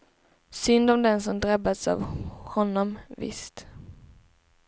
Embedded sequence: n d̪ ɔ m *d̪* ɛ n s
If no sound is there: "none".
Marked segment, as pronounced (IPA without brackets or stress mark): d̪